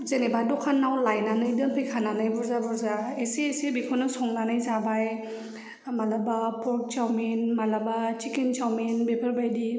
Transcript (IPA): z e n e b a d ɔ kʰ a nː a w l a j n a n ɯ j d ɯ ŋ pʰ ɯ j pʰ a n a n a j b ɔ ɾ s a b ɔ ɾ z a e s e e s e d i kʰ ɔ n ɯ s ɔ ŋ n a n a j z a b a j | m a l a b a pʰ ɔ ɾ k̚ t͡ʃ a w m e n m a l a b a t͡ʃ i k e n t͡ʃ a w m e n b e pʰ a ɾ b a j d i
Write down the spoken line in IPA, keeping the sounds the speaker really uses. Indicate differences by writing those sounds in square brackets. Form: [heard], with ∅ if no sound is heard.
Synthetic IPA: z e n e b a d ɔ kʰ a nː a w l a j n a n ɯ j d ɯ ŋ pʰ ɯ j [kʰ] a n a n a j b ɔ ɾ [z] a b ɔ ɾ z a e s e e s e [b] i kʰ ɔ n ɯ s ɔ ŋ n a n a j z a b a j | m a l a b a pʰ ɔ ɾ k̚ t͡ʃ a w m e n m a l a b a t͡ʃ i k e n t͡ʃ a w m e n b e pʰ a ɾ b a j d i